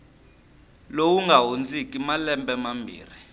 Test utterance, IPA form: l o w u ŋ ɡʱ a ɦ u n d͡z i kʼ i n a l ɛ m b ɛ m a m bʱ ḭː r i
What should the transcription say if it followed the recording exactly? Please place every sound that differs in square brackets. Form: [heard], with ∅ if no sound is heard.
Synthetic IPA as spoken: l o w u ŋ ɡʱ a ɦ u n d͡z i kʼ i [m] a l ɛ m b ɛ m a m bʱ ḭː r i